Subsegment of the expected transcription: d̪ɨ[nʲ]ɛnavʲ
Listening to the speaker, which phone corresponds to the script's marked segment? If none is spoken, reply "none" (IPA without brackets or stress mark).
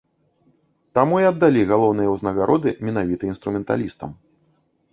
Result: mʲ